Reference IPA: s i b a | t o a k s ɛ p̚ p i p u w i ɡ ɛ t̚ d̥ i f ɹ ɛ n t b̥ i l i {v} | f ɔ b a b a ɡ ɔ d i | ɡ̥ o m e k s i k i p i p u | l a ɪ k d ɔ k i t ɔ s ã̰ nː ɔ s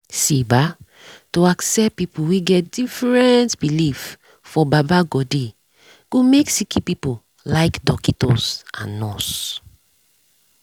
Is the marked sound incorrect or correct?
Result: incorrect